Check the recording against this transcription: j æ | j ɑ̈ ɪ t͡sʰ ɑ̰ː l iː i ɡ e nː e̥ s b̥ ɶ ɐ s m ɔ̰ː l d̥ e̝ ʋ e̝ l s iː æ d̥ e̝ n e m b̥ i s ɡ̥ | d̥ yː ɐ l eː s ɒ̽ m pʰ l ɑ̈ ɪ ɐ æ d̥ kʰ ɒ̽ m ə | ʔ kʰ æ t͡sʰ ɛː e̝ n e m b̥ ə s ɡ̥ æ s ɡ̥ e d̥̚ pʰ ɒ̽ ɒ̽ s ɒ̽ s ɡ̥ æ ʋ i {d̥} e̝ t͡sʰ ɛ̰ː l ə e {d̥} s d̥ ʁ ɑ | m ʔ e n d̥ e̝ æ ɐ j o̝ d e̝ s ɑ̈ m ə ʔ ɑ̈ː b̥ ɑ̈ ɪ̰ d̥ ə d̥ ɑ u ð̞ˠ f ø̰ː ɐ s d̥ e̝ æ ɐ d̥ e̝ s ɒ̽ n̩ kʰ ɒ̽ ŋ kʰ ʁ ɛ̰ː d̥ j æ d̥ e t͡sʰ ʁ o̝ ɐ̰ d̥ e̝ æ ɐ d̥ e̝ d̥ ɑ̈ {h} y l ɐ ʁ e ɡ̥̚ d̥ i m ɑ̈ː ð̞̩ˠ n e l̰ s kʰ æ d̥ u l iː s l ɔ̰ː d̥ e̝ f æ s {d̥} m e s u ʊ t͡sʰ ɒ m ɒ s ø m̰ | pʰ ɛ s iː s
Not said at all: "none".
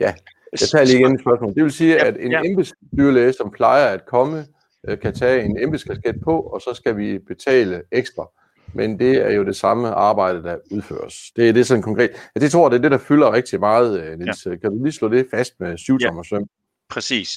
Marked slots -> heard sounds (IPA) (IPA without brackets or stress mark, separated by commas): b̥, ɡ̥, f, d̥